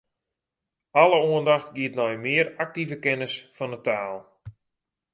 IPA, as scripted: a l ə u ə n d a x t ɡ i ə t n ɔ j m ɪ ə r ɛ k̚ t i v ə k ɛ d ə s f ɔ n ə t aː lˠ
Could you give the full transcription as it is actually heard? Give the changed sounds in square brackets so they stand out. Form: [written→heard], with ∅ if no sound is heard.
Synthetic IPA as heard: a l ə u ə n d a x t ɡ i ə t n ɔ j m ɪ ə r [ɛ→a] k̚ t i v ə k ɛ [d→n] ə s f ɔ n ə t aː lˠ